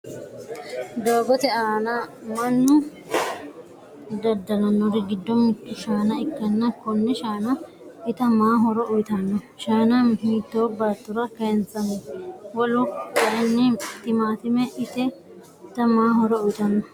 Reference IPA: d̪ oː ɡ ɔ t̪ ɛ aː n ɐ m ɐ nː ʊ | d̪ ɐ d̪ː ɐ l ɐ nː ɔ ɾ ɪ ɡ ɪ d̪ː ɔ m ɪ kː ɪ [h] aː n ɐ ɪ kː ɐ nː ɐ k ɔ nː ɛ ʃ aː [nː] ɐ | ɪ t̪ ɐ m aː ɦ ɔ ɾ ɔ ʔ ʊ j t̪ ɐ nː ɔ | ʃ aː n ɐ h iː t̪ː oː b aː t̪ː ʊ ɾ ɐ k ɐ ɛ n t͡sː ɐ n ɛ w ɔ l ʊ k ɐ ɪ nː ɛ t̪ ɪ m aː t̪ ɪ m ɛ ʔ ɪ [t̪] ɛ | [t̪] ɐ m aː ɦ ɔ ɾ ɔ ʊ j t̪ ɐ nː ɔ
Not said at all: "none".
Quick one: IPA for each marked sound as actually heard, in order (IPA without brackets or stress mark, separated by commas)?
ʃ, n, t̪, t̪